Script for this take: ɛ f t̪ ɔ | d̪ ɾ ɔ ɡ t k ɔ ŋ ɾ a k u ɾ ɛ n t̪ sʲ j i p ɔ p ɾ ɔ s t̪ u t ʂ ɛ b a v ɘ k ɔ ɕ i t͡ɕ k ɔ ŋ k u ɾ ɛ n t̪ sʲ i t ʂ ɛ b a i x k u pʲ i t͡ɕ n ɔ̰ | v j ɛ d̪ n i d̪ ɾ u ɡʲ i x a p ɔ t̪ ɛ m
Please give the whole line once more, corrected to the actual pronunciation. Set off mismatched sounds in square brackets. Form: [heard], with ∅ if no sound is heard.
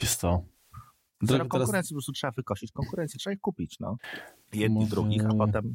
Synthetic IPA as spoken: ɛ [s] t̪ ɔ | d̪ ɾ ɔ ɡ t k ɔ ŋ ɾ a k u ɾ ɛ n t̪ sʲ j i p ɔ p ɾ ɔ s t̪ u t ʂ ɛ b a v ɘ k ɔ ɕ i t͡ɕ k ɔ ŋ k u ɾ ɛ n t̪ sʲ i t ʂ ɛ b a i x k u pʲ i t͡ɕ n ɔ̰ | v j ɛ d̪ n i d̪ ɾ u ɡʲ i x a p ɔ t̪ ɛ m